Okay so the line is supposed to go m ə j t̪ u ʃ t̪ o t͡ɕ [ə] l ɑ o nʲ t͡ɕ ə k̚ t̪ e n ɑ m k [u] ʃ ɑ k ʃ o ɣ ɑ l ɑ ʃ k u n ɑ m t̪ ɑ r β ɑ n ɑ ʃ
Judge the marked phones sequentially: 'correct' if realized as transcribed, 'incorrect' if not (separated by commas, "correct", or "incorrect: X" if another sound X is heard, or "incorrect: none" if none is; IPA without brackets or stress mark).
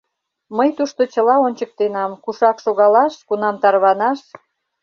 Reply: correct, correct